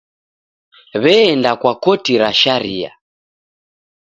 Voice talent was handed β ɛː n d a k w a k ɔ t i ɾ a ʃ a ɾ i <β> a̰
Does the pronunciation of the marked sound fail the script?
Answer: yes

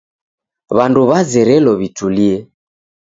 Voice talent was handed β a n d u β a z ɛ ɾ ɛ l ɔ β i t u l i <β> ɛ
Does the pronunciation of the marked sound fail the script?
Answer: yes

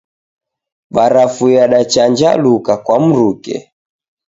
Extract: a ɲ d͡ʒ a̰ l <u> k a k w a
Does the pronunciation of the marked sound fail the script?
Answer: no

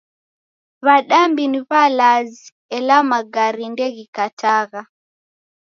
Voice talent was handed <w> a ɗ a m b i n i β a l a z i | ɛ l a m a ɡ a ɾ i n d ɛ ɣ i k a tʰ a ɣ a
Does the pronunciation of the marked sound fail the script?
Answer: yes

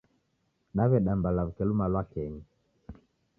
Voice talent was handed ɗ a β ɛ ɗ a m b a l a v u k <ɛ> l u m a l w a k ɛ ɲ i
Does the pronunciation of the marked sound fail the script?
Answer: no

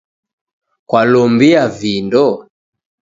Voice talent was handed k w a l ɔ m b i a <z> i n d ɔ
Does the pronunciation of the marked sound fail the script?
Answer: yes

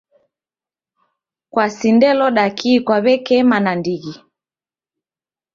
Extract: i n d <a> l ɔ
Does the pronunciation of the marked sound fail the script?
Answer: yes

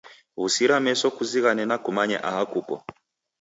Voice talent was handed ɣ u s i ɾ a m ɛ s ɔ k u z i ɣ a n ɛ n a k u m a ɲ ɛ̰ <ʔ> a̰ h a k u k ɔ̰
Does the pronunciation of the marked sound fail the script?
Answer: no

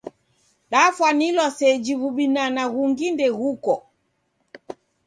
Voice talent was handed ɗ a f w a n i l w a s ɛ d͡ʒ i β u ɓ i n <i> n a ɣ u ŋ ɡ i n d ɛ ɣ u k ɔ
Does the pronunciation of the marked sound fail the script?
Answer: yes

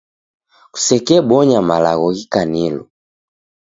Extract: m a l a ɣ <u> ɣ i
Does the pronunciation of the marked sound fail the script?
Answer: yes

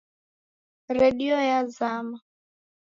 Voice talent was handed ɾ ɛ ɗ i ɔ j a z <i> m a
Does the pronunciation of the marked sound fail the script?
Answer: yes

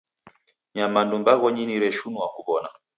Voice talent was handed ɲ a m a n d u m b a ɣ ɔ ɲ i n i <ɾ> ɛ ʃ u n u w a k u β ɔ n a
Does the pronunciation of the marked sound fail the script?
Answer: no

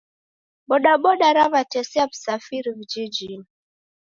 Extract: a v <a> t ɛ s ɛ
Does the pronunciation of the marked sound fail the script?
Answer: no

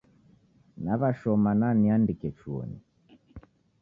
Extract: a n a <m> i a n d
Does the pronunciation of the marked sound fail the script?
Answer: yes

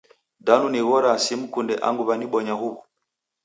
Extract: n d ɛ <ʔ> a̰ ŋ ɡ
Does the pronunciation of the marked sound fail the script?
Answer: no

